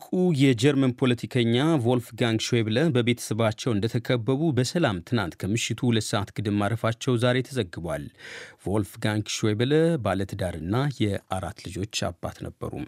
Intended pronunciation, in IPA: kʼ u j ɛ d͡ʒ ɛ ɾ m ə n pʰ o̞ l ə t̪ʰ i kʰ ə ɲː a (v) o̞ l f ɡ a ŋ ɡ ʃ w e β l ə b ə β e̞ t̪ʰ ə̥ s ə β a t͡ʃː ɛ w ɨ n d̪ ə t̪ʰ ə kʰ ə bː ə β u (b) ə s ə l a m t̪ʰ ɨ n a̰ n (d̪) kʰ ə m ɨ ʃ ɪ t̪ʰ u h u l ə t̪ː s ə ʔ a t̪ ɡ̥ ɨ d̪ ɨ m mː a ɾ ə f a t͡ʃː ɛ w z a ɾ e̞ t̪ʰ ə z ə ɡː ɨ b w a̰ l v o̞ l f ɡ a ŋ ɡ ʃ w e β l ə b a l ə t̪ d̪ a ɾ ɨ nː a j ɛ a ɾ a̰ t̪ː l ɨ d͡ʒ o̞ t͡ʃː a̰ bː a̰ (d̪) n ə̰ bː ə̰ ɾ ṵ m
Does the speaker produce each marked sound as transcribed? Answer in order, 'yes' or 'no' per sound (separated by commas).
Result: yes, yes, no, no